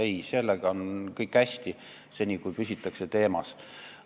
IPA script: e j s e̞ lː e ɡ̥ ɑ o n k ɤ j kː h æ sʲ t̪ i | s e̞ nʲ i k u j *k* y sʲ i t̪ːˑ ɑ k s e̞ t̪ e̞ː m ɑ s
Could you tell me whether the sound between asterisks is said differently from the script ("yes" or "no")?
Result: yes